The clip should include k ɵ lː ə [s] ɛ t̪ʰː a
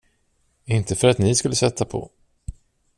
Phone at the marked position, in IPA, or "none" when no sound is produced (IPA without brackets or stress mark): s